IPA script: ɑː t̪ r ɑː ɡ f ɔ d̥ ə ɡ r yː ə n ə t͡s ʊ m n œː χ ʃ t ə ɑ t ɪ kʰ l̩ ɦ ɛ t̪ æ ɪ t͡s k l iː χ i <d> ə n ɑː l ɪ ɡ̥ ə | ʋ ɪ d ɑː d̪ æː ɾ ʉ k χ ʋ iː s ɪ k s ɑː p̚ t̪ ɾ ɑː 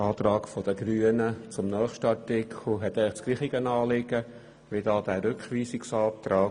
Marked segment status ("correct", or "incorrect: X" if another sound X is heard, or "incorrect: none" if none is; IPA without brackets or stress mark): incorrect: ɡ